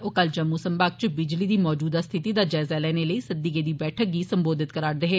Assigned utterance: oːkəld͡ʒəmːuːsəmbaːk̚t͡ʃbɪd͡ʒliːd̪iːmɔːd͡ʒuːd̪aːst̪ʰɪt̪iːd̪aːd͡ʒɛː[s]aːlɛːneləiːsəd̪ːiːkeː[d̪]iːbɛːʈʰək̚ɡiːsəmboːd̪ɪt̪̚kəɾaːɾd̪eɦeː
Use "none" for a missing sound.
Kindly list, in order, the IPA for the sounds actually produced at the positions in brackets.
z, d̪

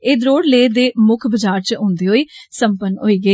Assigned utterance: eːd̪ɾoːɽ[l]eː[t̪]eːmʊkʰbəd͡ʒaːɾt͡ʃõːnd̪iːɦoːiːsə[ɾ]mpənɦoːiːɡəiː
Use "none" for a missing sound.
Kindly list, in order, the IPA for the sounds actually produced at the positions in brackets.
l, d̪, none

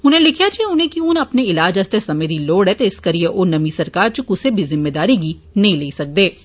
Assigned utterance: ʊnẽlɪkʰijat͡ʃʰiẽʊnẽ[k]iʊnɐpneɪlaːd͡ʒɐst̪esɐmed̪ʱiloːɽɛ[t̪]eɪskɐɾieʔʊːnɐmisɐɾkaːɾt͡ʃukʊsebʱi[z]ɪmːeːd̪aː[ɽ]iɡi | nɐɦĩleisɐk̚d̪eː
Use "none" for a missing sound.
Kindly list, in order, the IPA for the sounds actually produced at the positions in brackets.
k, t̪, z, ɾ

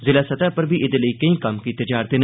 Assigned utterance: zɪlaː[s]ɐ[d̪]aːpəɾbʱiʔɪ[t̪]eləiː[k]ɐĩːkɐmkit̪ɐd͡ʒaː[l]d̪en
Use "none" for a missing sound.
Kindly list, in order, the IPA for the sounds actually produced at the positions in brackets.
s, t̪, d̪, k, ɾ

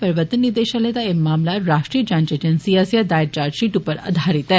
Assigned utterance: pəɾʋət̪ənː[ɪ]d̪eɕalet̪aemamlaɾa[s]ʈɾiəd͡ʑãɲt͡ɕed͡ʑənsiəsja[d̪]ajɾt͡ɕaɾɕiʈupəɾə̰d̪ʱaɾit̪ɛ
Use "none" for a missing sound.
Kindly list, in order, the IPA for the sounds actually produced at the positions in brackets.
i, ʂ, d̪

